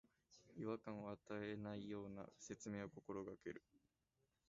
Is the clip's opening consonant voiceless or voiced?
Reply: voiced